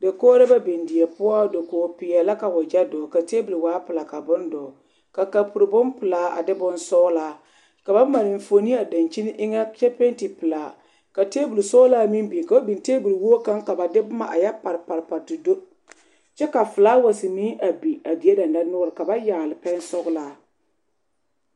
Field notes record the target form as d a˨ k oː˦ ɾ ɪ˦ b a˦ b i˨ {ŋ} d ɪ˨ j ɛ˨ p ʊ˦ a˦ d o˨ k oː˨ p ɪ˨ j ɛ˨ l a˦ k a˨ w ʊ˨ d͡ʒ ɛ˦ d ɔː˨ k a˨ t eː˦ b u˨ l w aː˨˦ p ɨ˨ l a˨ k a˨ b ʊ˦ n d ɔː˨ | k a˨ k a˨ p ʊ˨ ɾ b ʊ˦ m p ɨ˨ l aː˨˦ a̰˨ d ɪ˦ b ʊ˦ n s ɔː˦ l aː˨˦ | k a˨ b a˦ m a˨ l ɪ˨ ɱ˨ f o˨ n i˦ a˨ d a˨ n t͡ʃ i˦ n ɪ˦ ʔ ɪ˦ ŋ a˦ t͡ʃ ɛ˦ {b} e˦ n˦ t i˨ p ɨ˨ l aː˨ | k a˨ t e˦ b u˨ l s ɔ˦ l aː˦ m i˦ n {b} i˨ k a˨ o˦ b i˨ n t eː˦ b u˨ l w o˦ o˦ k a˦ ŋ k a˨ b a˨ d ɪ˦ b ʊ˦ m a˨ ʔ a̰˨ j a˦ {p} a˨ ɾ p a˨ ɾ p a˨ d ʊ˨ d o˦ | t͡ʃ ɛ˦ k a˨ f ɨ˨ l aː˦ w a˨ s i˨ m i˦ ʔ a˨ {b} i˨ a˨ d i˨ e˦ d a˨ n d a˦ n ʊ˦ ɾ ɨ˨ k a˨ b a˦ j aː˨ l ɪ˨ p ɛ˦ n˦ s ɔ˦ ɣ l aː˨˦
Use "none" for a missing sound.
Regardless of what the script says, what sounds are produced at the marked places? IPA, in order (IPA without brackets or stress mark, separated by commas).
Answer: n, p, b, p, b